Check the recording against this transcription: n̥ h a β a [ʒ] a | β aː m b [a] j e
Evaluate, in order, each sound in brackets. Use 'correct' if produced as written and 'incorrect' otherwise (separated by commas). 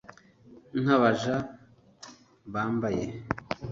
correct, correct